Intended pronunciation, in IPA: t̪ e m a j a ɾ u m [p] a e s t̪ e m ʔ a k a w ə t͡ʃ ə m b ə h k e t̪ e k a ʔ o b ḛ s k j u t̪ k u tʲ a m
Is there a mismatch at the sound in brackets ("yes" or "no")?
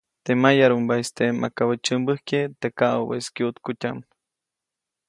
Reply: yes